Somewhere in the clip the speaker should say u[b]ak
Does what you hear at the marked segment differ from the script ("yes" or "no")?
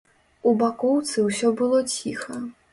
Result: no